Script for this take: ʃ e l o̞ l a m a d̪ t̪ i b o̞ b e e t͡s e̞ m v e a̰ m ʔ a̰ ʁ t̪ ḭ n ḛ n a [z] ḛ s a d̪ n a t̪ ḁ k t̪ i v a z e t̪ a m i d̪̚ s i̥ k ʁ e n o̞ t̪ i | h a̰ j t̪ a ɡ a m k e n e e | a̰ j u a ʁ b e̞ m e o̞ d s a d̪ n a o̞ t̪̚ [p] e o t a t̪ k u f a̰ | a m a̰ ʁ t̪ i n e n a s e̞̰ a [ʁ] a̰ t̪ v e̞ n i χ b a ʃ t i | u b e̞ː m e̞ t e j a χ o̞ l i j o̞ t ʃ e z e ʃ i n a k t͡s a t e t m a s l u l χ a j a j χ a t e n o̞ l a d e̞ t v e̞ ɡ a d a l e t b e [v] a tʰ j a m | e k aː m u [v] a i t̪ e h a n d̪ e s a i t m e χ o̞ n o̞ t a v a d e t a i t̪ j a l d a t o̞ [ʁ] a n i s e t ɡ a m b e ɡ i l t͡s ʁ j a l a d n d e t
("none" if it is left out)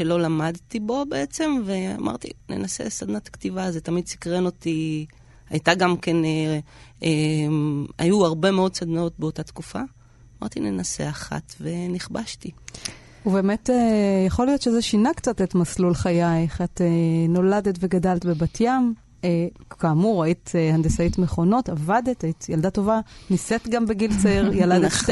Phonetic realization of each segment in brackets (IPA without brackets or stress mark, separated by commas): s, b, χ, b, ʁ, v